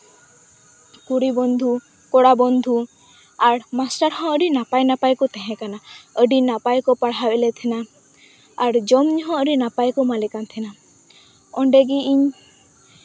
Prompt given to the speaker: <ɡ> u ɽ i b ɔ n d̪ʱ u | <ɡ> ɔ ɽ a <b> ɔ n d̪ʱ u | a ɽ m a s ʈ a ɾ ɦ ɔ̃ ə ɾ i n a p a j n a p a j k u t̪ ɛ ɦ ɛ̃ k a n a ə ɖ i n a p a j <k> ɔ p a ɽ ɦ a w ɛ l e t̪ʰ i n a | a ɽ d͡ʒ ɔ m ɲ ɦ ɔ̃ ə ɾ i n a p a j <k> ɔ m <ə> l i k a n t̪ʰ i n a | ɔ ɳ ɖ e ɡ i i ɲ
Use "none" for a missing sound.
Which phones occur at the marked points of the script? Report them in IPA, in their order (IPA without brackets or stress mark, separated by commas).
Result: k, k, b, k, k, a